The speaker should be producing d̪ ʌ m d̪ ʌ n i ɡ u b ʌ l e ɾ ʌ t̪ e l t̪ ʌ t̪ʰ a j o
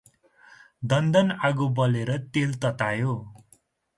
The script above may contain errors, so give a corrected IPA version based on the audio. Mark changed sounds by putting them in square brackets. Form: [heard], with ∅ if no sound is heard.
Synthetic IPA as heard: d̪ ʌ [n] d̪ ʌ n [a] ɡ u b ʌ l e ɾ ʌ t̪ e l t̪ ʌ [t̪] a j o